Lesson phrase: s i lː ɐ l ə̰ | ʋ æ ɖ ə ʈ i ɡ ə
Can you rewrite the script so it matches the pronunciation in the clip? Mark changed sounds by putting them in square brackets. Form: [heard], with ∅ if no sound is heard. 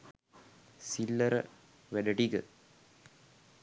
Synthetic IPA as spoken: s i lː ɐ [ɾ] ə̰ | ʋ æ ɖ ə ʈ i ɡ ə